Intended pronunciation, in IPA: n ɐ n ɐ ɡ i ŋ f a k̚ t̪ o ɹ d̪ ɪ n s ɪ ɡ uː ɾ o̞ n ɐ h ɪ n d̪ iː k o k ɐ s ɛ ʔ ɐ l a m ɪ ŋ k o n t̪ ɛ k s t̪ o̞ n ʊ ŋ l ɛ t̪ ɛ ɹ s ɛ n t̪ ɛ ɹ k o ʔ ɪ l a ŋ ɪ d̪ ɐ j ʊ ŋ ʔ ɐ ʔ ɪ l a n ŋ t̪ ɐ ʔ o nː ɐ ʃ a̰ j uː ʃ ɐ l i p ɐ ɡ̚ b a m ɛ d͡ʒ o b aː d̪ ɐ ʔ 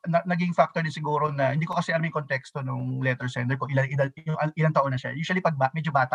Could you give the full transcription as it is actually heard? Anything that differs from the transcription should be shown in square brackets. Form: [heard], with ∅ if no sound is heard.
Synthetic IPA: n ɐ n ɐ ɡ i ŋ f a k̚ t̪ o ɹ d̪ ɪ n s ɪ ɡ uː ɾ o̞ n ɐ h ɪ n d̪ iː k o k ɐ s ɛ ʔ ɐ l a m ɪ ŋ k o n t̪ ɛ k s t̪ o̞ n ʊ ŋ l ɛ t̪ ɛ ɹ s ɛ n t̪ ɛ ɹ k o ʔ ɪ l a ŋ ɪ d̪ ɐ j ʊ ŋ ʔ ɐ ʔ ɪ l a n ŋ t̪ ɐ ʔ o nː ɐ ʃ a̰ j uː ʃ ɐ l i p ɐ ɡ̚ b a m ɛ d͡ʒ o b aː [t̪] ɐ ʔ